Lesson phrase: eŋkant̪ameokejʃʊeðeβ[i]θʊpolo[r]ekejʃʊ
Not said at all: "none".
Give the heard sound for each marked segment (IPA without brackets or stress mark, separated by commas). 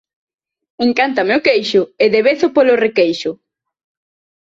e, r